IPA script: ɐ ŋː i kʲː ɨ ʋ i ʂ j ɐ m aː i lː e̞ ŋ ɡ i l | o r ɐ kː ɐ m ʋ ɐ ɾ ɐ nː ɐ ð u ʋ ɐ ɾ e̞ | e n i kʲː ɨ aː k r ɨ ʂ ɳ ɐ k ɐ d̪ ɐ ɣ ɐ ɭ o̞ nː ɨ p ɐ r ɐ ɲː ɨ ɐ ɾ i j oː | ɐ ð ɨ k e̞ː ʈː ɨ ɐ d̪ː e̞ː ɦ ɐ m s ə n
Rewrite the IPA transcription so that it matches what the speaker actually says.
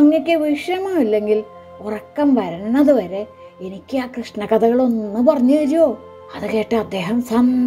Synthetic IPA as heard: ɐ ŋː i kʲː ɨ ʋ i ʂ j ɐ m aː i lː e̞ ŋ ɡ i l | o r ɐ kː ɐ m ʋ ɐ ɾ ɐ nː ɐ ð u ʋ ɐ ɾ e̞ | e n i kʲː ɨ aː k r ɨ ʂ ɳ ɐ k ɐ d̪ ɐ ɣ ɐ ɭ o̞ nː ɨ p ɐ r ɐ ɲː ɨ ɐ ɾ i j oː | ɐ ð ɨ k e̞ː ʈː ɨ ɐ d̪ː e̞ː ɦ ɐ m s ɐ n